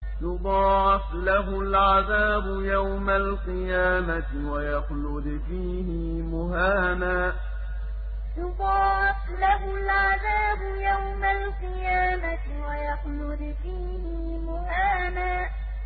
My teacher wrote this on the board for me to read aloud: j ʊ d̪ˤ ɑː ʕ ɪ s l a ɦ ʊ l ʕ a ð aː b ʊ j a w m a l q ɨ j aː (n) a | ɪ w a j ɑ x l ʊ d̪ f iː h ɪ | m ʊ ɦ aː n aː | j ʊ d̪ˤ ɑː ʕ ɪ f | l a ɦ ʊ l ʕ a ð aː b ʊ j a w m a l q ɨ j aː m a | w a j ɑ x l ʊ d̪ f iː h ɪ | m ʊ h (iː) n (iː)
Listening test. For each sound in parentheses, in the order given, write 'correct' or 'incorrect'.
incorrect: m, incorrect: aː, incorrect: aː

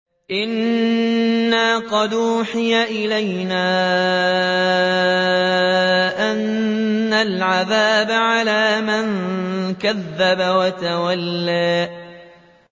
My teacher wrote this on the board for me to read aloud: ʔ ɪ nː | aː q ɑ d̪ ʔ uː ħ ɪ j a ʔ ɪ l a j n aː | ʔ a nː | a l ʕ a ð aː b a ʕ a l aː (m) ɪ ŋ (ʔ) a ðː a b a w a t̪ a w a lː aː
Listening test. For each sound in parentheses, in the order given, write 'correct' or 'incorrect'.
correct, incorrect: k

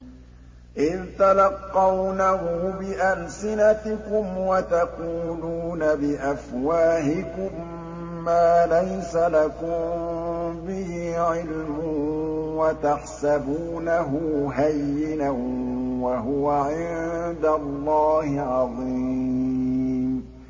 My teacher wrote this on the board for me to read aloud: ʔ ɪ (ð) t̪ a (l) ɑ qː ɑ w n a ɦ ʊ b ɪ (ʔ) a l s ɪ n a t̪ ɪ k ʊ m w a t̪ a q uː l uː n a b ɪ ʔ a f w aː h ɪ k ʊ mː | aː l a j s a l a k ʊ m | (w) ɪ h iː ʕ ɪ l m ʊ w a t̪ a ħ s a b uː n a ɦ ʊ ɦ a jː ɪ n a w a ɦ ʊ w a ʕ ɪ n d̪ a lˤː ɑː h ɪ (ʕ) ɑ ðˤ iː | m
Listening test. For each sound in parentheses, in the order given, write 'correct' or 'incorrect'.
correct, correct, correct, incorrect: b, correct

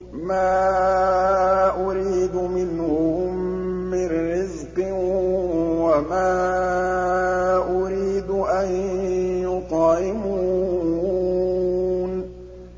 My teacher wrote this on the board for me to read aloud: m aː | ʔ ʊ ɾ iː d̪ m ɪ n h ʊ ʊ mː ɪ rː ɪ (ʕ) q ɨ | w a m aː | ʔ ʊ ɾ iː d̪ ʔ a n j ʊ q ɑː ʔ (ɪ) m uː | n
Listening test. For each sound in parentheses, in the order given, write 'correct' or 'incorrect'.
incorrect: z, correct

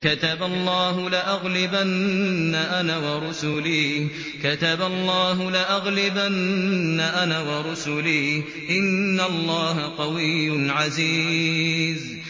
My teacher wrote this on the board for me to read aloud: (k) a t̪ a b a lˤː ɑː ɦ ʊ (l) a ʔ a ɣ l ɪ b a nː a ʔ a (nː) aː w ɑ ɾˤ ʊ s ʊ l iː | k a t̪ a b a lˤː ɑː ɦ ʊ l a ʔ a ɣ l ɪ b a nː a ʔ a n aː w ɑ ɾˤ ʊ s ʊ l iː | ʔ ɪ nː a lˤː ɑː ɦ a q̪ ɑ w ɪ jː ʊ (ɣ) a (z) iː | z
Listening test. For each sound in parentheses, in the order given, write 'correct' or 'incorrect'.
correct, correct, incorrect: n, incorrect: ʕ, correct

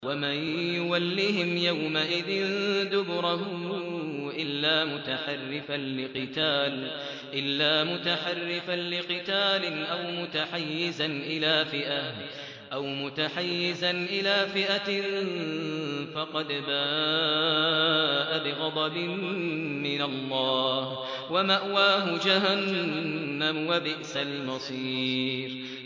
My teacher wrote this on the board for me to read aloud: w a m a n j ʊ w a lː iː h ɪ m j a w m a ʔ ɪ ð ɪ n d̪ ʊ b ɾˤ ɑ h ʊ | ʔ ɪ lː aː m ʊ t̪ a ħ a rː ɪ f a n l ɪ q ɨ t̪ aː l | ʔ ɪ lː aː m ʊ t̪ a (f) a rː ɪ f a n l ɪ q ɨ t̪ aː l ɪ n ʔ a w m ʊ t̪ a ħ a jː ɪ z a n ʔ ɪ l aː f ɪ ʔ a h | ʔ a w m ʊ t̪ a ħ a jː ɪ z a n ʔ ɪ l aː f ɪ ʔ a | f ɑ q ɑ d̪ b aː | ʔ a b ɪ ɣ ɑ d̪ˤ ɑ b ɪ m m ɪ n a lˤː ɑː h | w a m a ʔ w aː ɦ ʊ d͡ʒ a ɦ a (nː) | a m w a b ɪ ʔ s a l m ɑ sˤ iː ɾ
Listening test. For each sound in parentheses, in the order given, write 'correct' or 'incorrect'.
incorrect: ħ, correct

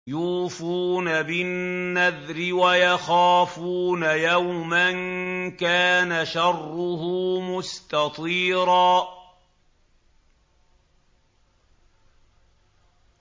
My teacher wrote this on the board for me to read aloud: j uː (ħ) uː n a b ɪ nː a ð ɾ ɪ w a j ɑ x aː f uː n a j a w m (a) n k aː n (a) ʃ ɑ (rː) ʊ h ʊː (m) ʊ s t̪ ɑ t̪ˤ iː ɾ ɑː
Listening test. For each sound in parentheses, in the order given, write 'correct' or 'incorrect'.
incorrect: f, correct, correct, correct, correct

